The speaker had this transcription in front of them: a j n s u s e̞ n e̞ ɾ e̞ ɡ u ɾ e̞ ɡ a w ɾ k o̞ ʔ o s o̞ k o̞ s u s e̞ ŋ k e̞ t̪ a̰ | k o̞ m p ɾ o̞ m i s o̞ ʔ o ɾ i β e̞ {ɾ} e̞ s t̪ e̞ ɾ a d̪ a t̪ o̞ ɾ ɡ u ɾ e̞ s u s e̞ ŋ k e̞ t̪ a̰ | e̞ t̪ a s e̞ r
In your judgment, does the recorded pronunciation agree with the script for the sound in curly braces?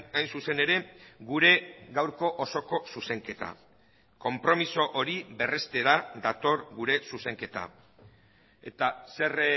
no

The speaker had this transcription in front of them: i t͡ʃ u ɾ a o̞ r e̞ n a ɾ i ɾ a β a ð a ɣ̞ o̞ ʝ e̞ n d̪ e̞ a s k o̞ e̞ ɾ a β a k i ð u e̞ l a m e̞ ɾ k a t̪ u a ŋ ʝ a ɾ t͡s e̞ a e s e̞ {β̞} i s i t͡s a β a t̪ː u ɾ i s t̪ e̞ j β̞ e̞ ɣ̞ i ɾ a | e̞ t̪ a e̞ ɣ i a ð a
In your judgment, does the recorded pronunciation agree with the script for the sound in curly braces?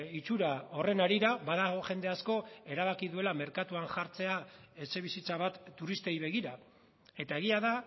yes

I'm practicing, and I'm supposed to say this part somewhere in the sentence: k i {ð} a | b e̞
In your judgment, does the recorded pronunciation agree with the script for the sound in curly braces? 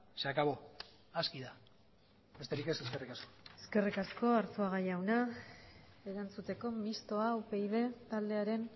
yes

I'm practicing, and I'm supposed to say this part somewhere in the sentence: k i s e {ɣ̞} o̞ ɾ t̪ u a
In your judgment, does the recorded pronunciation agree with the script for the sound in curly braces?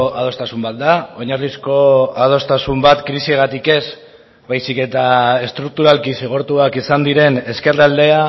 yes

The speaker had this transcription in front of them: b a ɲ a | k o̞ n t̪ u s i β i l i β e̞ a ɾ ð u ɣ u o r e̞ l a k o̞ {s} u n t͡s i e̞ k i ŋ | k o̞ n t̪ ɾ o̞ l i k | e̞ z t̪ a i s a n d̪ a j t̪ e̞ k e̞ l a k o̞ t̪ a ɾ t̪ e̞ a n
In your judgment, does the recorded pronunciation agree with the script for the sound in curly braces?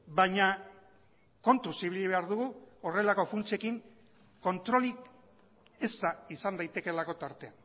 no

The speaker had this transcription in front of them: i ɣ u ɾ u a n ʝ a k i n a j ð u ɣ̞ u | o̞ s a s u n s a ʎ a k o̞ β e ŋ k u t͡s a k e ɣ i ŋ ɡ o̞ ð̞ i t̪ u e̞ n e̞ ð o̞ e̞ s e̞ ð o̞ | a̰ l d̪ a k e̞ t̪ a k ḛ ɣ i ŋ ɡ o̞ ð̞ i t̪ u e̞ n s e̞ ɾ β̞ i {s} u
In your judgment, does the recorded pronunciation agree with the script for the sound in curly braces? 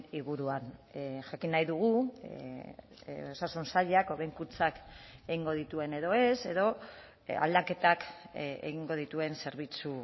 no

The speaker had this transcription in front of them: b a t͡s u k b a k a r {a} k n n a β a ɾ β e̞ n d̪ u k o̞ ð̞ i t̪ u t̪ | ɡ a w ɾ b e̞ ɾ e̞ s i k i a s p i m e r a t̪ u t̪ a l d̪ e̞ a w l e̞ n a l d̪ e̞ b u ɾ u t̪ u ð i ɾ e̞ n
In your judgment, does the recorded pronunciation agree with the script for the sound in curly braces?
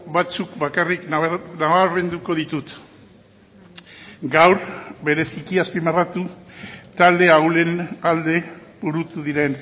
no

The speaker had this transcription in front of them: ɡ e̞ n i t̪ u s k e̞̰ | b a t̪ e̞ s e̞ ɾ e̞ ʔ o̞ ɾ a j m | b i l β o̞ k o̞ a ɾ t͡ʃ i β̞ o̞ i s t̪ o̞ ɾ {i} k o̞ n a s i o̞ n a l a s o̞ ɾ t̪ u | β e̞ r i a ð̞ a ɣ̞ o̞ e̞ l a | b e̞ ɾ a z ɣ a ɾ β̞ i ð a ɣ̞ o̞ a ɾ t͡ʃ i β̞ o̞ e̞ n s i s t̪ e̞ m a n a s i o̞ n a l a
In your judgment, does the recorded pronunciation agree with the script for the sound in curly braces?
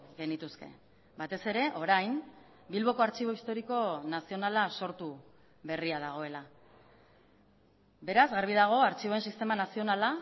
yes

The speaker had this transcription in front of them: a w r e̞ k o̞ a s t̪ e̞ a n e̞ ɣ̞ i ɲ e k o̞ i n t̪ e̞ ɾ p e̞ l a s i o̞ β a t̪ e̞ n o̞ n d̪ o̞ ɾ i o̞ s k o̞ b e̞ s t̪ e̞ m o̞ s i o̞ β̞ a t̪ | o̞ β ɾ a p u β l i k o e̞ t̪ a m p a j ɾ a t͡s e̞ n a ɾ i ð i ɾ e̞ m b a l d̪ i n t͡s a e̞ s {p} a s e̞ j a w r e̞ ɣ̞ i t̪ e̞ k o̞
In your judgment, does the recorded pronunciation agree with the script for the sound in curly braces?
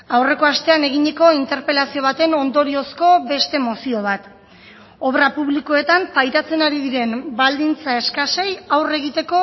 no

